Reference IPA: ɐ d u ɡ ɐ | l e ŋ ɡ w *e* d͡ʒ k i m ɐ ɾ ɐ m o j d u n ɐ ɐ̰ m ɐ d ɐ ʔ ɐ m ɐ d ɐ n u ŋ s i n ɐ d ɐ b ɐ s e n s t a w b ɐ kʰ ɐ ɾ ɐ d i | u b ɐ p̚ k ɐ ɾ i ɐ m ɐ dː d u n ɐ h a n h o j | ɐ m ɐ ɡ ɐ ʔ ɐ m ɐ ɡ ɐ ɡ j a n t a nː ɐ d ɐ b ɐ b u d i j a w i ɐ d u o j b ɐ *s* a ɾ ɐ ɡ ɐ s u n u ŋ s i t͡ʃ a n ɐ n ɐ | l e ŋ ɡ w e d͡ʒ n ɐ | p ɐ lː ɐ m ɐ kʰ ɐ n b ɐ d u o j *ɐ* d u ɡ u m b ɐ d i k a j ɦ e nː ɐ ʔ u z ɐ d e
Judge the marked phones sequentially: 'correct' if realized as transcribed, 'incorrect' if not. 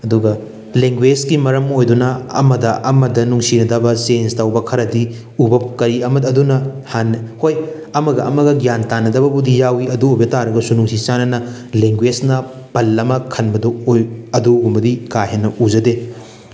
correct, incorrect: t, correct

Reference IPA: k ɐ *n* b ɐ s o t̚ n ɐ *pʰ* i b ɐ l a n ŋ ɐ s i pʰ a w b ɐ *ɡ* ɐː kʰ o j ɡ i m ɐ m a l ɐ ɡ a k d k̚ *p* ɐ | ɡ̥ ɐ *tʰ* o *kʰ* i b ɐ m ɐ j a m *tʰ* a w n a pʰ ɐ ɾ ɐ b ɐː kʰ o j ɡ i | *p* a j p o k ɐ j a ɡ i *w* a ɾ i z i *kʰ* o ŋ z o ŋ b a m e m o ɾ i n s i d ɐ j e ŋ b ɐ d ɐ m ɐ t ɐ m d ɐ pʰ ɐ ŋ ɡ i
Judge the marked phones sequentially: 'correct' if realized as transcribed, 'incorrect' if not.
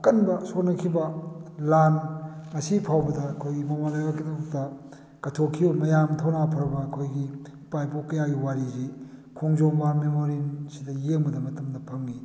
correct, incorrect: kʰ, incorrect: d, incorrect: t, correct, correct, correct, correct, correct, correct

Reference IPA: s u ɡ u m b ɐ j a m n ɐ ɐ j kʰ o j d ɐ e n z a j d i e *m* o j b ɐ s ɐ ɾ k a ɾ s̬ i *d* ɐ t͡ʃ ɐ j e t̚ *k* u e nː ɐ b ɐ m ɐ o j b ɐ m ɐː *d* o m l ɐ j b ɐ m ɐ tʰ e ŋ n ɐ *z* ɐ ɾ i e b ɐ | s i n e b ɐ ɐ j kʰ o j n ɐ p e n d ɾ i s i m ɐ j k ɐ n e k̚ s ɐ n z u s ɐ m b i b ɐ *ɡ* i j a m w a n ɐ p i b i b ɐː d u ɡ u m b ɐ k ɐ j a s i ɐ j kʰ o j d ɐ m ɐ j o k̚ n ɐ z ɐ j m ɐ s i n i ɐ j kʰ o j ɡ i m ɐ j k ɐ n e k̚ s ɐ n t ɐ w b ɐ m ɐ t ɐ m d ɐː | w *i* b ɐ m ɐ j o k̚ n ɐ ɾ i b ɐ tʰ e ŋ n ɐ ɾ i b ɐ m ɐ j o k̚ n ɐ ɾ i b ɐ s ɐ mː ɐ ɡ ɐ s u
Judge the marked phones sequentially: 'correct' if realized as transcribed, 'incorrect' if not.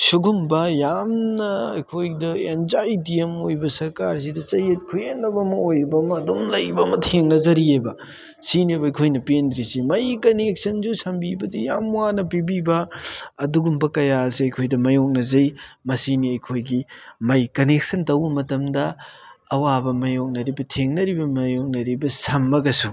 correct, correct, incorrect: kʰ, correct, correct, incorrect: d, incorrect: a

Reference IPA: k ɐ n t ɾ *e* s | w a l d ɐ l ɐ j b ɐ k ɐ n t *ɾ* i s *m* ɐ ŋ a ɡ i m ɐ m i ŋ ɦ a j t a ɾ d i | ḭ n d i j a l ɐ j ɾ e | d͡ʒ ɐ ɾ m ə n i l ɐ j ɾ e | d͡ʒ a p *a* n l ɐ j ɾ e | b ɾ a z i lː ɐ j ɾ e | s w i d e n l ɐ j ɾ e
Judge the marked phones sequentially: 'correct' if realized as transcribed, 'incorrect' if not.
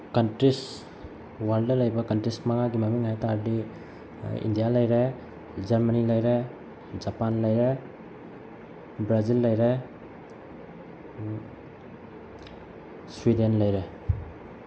incorrect: i, correct, correct, correct

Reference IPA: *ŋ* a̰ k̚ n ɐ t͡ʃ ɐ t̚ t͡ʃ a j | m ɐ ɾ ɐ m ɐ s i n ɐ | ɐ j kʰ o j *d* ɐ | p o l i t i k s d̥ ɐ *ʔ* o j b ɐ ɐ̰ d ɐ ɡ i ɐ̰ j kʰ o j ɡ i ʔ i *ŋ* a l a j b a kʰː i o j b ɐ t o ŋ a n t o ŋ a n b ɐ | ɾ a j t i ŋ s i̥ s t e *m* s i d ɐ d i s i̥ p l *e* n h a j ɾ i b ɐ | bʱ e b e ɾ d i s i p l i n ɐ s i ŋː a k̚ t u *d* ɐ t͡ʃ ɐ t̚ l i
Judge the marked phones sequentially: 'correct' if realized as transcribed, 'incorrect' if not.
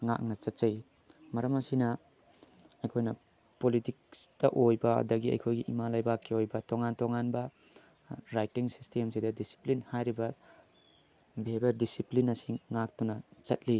correct, incorrect: n, correct, incorrect: m, correct, incorrect: i, incorrect: n

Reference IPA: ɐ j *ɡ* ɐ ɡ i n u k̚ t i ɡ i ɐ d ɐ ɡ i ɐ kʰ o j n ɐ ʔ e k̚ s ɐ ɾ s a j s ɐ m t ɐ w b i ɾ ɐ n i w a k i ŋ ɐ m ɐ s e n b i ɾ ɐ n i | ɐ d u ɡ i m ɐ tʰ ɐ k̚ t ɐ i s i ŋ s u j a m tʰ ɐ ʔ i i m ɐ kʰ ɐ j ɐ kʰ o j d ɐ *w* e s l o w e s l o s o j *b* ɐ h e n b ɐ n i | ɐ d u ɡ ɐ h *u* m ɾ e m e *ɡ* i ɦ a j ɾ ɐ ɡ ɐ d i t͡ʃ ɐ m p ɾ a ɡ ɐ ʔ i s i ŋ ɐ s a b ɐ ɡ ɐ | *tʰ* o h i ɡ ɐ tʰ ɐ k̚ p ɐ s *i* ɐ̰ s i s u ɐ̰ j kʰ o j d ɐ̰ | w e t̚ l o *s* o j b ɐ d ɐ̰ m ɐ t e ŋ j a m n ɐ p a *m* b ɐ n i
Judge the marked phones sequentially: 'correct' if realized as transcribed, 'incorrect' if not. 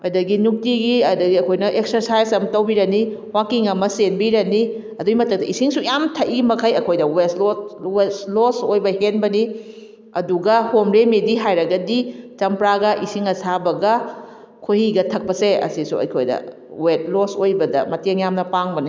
incorrect: d, correct, correct, incorrect: o, incorrect: d, incorrect: kʰ, incorrect: e, correct, incorrect: ŋ

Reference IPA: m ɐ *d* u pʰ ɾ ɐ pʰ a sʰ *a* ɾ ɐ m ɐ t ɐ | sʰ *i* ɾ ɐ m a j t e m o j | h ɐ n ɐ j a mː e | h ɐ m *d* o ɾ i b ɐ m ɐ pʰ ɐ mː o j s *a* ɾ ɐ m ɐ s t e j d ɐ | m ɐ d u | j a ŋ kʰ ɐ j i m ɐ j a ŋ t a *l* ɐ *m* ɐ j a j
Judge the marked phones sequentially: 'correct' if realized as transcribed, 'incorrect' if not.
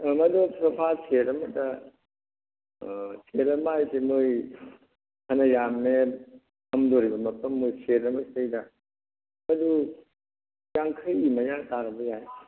correct, incorrect: e, incorrect: e, correct, incorrect: e, incorrect: ɾ, incorrect: b

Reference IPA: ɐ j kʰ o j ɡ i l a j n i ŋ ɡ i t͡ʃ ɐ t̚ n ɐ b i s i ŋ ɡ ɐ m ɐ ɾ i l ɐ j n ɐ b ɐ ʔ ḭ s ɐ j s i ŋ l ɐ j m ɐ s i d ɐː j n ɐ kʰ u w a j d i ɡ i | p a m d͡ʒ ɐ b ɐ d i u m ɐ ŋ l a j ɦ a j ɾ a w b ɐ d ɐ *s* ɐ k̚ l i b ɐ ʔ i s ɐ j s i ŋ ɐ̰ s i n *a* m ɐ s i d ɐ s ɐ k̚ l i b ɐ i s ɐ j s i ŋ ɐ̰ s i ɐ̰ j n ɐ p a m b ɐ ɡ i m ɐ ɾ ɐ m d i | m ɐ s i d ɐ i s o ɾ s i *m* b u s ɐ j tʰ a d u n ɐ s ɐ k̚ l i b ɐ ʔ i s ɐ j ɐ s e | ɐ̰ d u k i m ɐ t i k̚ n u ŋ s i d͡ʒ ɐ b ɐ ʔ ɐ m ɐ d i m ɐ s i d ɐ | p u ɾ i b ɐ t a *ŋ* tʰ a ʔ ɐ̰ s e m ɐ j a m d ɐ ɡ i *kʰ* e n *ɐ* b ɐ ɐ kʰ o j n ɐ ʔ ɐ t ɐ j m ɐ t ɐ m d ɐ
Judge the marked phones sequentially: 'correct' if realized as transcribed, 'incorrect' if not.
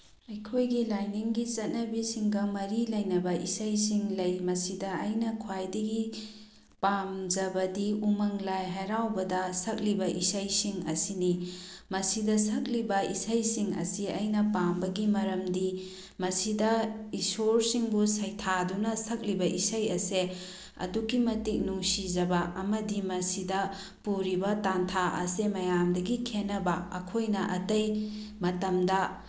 correct, incorrect: i, incorrect: ŋ, incorrect: n, correct, correct

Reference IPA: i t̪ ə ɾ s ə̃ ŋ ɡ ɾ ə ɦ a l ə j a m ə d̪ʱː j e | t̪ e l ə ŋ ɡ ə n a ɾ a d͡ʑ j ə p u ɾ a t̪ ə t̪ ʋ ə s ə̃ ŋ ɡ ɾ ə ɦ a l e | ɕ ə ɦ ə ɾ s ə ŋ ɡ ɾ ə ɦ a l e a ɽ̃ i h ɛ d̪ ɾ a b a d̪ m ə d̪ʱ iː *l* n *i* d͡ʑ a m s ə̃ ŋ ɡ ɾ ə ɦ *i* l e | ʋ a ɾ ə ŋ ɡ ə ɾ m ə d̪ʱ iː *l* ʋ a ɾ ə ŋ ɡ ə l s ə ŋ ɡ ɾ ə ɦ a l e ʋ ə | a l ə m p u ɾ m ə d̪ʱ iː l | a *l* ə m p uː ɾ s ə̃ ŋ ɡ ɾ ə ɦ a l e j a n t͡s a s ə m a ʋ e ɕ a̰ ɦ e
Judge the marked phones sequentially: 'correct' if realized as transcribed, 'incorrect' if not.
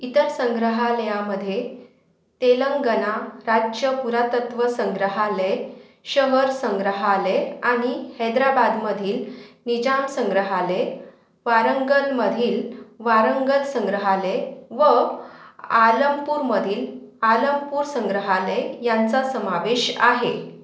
correct, correct, incorrect: a, correct, correct

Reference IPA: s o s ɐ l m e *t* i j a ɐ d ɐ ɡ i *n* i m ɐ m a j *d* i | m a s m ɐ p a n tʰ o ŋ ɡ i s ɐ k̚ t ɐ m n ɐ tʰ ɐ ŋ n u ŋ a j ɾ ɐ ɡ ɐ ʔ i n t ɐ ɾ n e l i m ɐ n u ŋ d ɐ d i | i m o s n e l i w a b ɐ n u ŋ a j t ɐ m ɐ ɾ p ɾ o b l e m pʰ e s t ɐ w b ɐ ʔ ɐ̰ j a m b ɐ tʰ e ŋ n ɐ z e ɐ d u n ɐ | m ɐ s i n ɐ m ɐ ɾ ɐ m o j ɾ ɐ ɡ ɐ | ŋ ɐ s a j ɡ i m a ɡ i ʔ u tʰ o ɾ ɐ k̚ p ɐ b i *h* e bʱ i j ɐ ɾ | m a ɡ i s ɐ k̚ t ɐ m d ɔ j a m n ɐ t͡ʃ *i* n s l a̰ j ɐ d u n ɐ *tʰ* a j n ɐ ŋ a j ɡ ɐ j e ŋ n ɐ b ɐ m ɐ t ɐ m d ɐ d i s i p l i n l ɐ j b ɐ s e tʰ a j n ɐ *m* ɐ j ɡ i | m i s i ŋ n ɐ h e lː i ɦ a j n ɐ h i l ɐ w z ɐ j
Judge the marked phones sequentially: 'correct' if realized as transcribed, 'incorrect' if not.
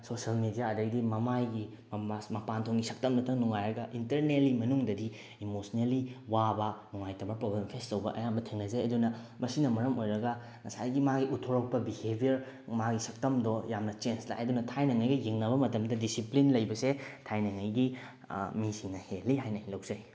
incorrect: d, incorrect: d, incorrect: ɡ, correct, incorrect: e, correct, incorrect: ŋ

